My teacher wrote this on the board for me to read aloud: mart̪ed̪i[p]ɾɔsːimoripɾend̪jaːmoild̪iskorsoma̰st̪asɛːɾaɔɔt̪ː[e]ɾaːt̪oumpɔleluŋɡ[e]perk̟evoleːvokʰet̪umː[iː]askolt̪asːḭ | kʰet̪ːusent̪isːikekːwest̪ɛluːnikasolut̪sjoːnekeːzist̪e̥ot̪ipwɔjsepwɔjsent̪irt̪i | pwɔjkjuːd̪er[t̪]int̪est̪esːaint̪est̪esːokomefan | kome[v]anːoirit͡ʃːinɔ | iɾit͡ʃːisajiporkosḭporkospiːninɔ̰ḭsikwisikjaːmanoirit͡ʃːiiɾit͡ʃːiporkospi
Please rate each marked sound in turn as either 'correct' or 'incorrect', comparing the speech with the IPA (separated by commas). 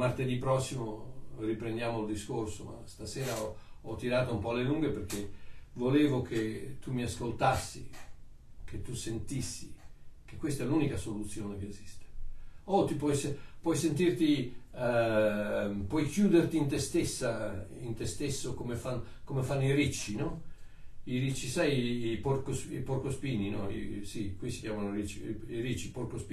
correct, incorrect, correct, incorrect, correct, incorrect